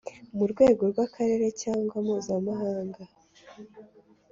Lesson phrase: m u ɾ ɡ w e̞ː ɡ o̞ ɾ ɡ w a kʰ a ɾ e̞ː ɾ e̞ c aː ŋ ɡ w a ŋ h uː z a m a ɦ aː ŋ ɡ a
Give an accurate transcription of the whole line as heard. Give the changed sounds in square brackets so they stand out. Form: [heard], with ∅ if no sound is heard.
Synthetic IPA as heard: m u ɾ ɡ w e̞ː ɡ o̞ ɾ ɡ w a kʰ a ɾ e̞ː ɾ e̞ c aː ŋ ɡ w a [m] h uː z a m a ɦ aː ŋ ɡ a